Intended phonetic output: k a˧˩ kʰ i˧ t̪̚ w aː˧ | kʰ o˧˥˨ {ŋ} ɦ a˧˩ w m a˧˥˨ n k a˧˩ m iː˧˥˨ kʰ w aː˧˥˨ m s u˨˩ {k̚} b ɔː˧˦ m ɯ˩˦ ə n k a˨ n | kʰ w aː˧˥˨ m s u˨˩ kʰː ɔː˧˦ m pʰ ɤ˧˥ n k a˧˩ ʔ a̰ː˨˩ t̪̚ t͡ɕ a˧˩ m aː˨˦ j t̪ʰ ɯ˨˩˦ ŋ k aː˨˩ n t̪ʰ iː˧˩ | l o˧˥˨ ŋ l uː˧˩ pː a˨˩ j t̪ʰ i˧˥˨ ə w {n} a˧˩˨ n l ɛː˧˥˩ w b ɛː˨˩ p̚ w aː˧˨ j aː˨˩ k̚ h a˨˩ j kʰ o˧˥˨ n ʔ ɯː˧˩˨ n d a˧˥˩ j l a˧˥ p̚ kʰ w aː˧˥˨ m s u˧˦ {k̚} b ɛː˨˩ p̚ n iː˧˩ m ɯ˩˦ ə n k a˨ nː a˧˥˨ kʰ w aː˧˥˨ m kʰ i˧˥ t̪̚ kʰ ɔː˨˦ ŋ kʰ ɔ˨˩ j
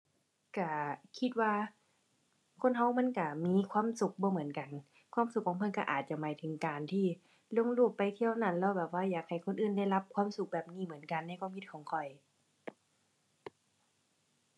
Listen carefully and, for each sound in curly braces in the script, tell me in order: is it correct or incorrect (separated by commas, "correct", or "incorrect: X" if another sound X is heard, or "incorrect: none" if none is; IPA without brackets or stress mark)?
incorrect: n, correct, correct, correct